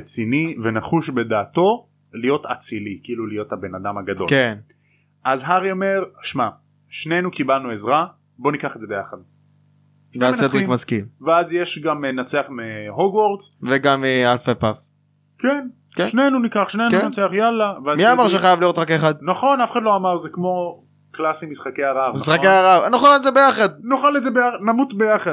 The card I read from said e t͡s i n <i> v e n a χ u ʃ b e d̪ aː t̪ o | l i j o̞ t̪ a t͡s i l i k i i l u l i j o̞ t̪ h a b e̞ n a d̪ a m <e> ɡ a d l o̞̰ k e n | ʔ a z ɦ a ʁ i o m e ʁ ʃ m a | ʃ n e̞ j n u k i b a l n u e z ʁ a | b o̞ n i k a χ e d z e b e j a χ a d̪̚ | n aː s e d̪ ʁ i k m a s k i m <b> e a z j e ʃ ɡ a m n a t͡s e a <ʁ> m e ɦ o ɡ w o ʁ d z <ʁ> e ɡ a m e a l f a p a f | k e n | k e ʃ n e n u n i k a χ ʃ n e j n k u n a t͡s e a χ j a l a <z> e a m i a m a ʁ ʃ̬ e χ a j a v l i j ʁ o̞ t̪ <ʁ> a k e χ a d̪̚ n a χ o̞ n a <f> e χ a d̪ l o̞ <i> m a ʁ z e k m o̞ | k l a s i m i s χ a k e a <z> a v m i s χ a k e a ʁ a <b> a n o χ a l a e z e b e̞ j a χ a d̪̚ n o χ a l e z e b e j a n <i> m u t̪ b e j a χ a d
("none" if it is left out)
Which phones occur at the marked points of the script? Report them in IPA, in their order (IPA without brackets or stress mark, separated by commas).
i, a, v, χ, v, v, ʁ, f, a, ʁ, v, a